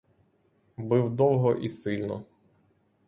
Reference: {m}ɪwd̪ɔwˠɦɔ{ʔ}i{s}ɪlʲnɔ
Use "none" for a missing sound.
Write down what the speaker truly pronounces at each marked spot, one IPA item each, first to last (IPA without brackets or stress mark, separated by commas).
b, ʔ, s